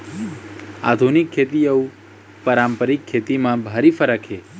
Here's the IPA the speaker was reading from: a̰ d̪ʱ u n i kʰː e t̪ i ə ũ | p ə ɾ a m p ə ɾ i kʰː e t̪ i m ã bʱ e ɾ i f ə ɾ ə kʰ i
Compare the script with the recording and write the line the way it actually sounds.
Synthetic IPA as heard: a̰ d̪ʱ u n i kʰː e t̪ i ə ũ | p ə ɾ a m p ə ɾ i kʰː e t̪ i m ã bʱ a ɾ i f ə ɾ ə kʰ e